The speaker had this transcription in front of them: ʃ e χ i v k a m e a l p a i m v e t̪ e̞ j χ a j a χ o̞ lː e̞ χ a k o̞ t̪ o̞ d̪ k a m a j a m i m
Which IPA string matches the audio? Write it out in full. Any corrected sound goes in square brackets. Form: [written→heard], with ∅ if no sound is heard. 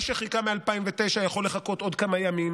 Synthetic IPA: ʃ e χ i [v→∅] k a m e a l p a i m v e t̪ e̞ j [χ→ʃ] a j a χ o̞ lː e̞ χ a k o̞ t̪ o̞ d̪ k a m a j a m i m